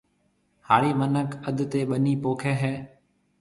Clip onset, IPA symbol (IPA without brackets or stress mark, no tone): h